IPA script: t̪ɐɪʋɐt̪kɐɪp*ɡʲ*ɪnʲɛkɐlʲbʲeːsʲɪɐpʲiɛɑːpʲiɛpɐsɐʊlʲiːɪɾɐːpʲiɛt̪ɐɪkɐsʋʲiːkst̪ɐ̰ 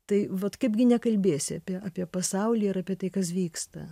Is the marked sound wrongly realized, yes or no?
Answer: no